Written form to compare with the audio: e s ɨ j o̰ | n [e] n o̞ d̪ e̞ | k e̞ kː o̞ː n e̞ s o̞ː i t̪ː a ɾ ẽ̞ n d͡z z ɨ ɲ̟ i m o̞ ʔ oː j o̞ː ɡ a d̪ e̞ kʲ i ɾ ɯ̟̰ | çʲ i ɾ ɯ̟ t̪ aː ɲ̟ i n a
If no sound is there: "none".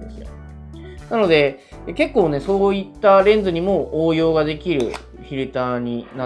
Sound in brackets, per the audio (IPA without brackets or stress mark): a